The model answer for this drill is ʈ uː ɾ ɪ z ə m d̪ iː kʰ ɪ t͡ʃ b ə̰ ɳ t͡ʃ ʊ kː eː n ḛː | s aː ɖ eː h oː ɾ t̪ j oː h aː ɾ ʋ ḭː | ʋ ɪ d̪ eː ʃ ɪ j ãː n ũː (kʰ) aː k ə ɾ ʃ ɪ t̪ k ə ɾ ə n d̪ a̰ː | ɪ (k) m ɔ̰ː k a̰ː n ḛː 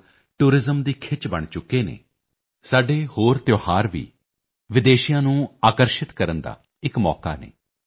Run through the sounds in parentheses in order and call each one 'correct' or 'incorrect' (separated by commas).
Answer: incorrect, correct